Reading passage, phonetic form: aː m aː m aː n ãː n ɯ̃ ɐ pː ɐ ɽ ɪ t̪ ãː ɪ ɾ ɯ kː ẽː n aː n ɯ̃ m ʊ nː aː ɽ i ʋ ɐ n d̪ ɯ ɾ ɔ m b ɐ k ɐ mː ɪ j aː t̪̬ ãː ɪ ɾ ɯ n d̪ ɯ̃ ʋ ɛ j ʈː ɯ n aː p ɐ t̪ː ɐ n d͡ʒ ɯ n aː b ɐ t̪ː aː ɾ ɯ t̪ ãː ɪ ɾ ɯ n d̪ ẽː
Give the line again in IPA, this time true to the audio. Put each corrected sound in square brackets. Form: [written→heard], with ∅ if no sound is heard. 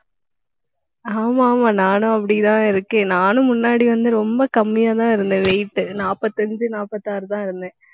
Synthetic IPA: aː m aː m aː n [ãː→aː] n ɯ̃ ɐ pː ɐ ɽ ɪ t̪ ãː ɪ ɾ ɯ kː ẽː n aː n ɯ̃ m ʊ nː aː ɽ i ʋ ɐ n d̪ ɯ ɾ ɔ m b ɐ k ɐ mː ɪ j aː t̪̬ ãː ɪ ɾ ɯ n d̪ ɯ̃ ʋ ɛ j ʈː ɯ n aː p ɐ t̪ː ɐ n d͡ʒ ɯ n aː [b→p] ɐ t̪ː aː ɾ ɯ t̪ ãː ɪ ɾ ɯ n d̪ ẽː